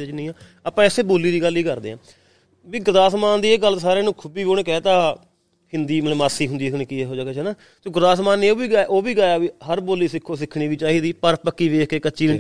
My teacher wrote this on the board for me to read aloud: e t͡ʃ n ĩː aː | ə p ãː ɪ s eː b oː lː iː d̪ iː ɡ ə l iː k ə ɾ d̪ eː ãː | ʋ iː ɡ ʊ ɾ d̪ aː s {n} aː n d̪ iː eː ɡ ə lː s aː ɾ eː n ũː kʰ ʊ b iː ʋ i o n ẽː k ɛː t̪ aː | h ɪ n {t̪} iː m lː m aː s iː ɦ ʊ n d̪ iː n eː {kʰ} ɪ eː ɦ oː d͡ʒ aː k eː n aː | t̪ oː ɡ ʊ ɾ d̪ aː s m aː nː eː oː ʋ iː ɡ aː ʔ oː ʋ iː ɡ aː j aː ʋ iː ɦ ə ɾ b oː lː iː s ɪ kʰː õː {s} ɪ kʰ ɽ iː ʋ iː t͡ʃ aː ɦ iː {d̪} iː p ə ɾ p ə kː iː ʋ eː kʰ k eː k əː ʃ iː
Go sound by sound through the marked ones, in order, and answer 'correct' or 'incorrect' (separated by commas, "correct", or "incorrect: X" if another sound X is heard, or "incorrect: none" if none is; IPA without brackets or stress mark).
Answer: incorrect: m, incorrect: d̪, incorrect: k, correct, correct